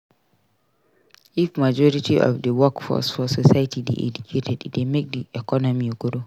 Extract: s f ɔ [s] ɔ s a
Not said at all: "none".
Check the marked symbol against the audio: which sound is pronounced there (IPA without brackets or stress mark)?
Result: s